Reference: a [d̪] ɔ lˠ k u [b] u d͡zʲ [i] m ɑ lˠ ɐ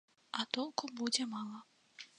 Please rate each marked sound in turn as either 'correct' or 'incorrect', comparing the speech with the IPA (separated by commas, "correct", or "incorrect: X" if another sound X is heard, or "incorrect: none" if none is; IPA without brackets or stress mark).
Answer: incorrect: t̪, correct, incorrect: ɛ